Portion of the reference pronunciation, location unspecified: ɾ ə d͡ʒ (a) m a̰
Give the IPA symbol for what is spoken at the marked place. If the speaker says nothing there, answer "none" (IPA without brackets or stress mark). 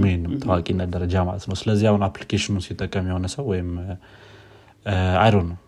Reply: a